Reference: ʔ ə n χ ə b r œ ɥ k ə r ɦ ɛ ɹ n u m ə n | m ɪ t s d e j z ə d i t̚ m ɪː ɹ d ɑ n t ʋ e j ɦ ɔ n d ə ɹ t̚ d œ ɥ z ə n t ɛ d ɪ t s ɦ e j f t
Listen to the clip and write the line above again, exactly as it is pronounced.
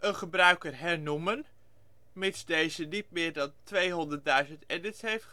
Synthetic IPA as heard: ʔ ə n χ ə b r œ ɥ k ə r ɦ ɛ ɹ n u m ə n | m ɪ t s d e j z ə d i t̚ m ɪː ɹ d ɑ n t ʋ e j ɦ ɔ n d ə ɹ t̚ d œ ɥ z ə n t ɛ d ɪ t s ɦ e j f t